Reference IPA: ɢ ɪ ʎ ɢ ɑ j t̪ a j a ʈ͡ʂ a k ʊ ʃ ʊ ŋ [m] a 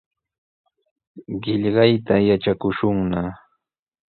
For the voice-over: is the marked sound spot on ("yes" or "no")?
no